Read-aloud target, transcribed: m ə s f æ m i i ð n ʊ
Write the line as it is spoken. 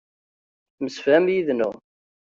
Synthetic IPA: m ə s f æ m j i ð n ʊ